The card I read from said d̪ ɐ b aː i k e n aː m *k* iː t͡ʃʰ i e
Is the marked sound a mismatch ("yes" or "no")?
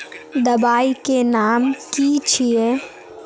no